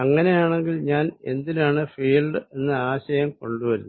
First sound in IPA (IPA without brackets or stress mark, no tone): ɐ